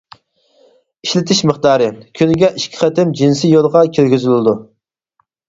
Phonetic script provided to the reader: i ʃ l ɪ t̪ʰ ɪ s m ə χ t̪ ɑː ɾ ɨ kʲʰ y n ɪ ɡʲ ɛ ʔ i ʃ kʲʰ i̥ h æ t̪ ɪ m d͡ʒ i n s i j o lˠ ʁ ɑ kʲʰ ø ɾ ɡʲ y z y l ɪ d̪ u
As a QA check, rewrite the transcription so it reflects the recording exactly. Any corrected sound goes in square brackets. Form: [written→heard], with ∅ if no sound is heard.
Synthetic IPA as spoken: i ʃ l ɪ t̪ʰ ɪ [s→ʃ] m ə χ t̪ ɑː ɾ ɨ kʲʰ y n ɪ ɡʲ ɛ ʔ i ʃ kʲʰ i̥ [h→χ] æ t̪ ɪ m d͡ʒ i n s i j o lˠ ʁ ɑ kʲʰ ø ɾ ɡʲ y z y l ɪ d̪ u